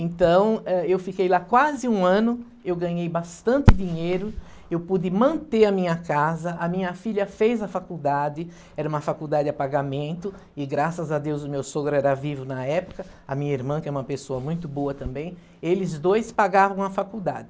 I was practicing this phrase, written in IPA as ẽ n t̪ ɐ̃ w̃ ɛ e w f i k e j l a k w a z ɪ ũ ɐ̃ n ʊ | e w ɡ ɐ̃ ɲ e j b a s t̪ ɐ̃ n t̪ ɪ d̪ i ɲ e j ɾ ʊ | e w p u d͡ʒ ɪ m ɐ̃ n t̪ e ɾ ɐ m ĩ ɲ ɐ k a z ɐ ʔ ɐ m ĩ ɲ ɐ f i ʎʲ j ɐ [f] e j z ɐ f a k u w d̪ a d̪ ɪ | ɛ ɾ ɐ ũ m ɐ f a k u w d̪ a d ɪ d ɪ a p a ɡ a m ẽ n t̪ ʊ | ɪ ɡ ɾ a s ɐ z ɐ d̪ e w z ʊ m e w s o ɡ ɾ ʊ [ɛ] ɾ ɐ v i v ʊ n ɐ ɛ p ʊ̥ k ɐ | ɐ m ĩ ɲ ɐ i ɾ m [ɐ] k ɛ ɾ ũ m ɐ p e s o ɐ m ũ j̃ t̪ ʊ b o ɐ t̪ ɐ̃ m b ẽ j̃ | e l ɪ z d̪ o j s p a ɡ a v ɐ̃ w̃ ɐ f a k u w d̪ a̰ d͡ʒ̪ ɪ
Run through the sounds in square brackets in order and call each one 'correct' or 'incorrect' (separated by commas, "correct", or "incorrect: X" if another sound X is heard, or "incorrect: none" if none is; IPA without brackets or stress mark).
correct, correct, incorrect: ɐ̃